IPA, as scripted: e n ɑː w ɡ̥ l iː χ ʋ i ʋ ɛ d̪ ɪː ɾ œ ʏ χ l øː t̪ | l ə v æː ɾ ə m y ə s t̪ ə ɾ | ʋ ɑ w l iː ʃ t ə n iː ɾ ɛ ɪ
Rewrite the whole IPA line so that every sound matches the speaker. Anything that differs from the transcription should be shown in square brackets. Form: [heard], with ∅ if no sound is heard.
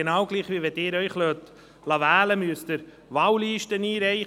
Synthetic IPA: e n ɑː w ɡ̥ l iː χ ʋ i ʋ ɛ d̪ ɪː ɾ œ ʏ χ l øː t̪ | l [ɑ] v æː [l] ə m y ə s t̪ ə ɾ | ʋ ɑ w l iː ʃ t ə n iː ɾ ɛ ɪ